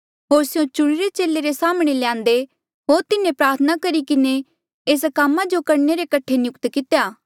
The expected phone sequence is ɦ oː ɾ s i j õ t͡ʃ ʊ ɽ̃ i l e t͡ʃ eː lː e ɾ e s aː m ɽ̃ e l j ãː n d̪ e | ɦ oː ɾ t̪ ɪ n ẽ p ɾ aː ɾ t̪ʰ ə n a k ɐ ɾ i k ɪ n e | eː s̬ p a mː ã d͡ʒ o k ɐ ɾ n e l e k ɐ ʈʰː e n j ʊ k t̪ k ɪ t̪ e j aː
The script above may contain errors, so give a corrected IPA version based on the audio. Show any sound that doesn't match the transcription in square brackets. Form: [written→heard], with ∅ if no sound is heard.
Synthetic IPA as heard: ɦ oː ɾ s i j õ t͡ʃ ʊ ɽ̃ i [l→ɾ] e t͡ʃ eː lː e ɾ e s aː m ɽ̃ e l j ãː n d̪ e | ɦ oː ɾ t̪ ɪ n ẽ p ɾ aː ɾ t̪ʰ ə n a k ɐ ɾ i k ɪ n e | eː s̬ [p→k] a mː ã d͡ʒ o k ɐ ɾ n e [l→ɾ] e k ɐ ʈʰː e n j ʊ k t̪ k ɪ t̪ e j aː